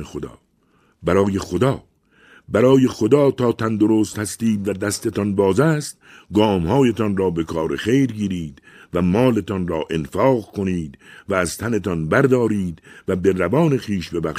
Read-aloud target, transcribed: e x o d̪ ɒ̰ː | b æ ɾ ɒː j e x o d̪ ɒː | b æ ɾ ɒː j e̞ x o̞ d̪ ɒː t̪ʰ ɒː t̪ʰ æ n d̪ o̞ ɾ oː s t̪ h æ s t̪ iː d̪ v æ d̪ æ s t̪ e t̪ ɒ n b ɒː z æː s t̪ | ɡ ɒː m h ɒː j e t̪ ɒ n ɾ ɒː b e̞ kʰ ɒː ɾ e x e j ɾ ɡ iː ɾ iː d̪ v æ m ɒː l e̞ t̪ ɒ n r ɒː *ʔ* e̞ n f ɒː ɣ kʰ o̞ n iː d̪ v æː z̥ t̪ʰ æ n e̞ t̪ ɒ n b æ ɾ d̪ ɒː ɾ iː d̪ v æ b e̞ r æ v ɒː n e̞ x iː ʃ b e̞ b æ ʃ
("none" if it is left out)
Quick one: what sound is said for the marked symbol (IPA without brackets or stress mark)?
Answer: ʔ